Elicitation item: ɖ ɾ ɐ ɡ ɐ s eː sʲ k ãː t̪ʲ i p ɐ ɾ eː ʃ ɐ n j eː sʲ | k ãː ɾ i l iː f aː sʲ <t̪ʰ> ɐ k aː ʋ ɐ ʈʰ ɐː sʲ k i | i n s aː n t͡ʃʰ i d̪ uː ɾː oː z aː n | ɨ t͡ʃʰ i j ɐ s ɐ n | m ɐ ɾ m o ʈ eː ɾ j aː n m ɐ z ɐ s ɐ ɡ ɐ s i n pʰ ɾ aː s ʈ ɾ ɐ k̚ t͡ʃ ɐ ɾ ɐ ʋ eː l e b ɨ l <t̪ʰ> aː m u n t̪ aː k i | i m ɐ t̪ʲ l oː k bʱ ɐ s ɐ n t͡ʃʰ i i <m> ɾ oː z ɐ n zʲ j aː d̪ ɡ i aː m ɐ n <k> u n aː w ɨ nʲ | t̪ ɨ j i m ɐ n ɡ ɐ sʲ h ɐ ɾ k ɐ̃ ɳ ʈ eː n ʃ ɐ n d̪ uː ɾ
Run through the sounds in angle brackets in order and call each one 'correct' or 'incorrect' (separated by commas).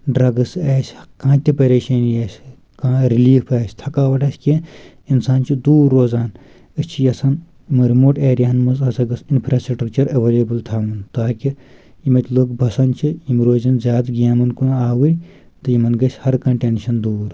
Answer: correct, correct, correct, correct